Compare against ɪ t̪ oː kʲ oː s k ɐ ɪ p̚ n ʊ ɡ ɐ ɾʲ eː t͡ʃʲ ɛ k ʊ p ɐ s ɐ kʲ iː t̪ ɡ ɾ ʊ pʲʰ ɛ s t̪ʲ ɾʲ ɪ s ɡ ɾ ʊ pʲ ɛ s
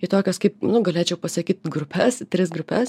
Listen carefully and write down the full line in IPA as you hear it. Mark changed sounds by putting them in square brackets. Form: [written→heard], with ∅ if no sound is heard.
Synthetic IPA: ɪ t̪ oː kʲ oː s k ɐ ɪ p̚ n ʊ ɡ ɐ [ɾʲ→lʲ] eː t͡ʃʲ ɛ [k→∅] ʊ p ɐ s ɐ kʲ iː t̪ ɡ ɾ ʊ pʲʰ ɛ s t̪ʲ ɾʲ ɪ s ɡ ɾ ʊ pʲ ɛ s